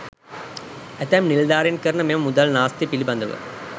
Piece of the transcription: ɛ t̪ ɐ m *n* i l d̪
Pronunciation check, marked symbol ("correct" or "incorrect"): correct